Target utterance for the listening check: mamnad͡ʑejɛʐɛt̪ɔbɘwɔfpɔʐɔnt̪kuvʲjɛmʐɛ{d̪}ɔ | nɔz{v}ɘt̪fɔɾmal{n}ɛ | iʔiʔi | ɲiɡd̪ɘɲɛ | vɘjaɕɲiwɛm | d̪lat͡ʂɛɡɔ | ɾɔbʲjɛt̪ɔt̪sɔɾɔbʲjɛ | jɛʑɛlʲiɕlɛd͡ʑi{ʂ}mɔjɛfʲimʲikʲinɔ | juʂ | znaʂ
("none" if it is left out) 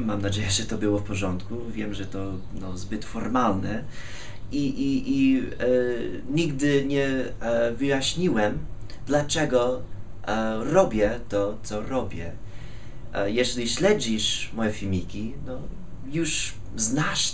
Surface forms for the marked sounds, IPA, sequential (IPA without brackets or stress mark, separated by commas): t̪, b, n, ʂ